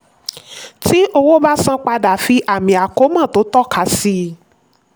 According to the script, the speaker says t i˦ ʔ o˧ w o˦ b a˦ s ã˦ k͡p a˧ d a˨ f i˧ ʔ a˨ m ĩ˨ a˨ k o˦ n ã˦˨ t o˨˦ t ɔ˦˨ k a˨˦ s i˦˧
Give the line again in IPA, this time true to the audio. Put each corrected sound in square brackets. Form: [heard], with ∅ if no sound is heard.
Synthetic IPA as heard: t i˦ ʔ o˧ w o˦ b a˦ s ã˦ k͡p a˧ d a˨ f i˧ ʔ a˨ m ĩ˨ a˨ k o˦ [m] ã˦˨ t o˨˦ t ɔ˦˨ k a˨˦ s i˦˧